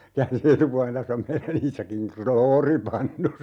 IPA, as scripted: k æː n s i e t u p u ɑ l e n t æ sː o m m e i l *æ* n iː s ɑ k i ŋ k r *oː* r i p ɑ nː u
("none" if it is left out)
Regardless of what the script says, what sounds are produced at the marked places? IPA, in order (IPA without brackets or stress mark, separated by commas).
æ, oː